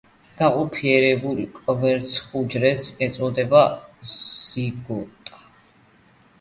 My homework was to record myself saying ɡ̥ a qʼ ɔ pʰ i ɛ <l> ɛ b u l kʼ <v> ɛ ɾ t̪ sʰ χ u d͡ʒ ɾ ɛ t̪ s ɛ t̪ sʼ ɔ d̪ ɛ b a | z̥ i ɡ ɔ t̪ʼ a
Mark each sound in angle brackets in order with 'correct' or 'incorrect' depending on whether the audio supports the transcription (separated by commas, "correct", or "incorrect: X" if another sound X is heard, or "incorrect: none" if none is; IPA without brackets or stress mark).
incorrect: ɾ, correct